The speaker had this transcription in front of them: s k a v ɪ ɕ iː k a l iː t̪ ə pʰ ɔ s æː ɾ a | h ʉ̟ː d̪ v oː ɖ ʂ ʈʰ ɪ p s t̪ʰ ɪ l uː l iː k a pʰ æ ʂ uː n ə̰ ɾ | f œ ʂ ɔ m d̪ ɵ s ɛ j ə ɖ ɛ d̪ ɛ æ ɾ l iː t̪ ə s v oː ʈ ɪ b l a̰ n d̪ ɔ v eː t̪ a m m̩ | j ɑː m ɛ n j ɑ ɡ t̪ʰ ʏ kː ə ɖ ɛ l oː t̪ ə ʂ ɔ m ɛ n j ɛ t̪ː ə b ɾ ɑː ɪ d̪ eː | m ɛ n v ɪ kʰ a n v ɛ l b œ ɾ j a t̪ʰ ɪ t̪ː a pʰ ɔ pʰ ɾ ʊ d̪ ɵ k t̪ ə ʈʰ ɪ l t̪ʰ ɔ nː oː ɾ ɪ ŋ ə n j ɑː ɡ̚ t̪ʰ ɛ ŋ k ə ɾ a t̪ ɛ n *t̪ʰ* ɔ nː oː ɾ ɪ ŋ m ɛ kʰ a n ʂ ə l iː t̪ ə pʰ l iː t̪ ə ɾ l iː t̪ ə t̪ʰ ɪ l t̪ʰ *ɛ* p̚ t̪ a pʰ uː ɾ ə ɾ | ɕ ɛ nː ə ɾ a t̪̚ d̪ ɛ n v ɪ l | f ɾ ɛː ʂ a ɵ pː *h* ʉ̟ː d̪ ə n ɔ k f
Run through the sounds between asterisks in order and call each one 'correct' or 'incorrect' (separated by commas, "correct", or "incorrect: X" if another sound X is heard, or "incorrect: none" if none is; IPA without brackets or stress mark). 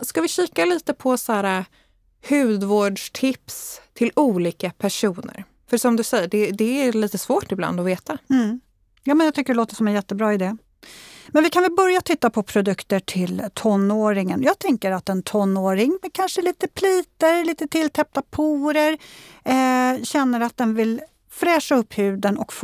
correct, correct, correct